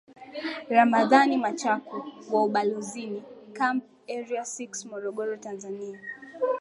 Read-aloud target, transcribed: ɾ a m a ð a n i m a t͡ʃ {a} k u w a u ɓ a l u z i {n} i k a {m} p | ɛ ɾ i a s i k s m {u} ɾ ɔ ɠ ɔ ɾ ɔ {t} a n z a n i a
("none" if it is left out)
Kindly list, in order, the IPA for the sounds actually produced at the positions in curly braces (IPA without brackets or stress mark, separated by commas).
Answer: a, n, m, ɔ, t